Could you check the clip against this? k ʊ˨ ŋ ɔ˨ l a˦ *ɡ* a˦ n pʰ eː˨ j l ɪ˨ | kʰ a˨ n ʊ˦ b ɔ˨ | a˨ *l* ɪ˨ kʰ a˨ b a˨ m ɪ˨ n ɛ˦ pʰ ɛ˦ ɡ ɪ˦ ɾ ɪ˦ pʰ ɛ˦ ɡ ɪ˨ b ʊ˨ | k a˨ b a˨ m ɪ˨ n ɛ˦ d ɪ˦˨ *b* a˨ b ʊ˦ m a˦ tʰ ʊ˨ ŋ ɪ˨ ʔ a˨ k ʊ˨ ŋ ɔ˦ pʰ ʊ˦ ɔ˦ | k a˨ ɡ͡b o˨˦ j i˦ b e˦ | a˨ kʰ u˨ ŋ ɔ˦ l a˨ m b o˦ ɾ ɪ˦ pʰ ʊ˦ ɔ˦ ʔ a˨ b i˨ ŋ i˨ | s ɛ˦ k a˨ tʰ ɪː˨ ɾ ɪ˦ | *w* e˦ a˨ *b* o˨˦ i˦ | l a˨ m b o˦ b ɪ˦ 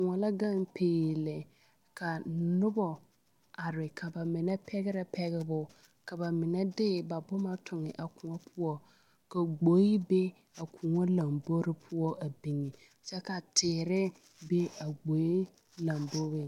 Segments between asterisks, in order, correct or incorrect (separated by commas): correct, incorrect, correct, incorrect, incorrect